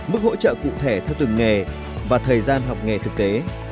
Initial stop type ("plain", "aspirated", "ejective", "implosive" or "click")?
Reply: plain